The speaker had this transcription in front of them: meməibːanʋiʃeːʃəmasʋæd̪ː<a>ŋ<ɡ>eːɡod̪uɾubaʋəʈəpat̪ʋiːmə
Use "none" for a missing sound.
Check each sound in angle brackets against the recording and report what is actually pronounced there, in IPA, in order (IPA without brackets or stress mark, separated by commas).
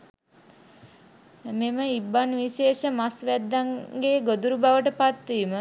a, ɡ